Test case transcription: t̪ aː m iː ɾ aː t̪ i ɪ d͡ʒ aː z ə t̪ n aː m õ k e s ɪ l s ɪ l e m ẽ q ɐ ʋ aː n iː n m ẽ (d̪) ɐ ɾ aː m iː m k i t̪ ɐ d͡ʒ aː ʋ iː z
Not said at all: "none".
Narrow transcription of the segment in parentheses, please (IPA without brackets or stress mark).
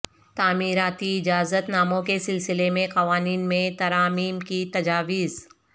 t̪